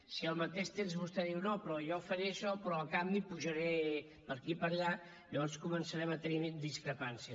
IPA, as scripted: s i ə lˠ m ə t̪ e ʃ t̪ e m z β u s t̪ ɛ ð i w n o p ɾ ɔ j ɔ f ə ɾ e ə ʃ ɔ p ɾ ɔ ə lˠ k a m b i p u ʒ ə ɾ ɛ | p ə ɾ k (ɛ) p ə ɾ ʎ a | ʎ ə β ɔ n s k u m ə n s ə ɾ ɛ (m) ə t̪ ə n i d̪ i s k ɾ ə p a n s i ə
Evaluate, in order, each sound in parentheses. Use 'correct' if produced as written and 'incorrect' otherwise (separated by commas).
incorrect, correct